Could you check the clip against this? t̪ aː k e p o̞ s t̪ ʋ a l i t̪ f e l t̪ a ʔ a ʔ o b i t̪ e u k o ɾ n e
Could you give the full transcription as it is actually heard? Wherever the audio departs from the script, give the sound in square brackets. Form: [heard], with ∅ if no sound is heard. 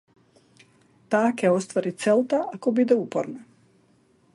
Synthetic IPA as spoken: t̪ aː k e [∅] o̞ s t̪ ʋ a [ɾ] i t̪ [s] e l t̪ a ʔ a [k] o b i [d̪] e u [p] o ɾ n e